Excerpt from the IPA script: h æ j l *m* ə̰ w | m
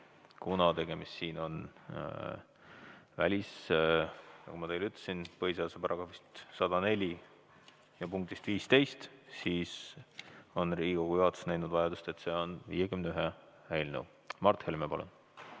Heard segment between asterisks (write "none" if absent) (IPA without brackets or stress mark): n